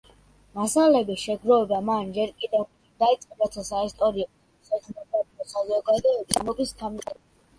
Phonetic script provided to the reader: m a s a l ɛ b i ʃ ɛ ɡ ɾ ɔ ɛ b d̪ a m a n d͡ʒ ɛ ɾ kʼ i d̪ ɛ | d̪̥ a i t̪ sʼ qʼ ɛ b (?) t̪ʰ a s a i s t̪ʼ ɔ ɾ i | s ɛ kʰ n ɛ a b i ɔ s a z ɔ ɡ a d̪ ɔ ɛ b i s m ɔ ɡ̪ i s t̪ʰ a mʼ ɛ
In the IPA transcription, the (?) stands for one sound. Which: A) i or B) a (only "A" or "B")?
B